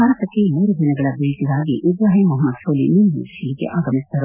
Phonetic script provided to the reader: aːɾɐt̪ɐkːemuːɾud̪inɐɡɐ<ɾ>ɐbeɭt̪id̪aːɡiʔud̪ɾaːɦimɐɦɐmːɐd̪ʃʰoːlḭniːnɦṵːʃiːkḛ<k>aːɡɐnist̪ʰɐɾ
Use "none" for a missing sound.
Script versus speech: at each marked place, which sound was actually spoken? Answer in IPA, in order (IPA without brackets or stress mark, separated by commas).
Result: ɭ, ʔ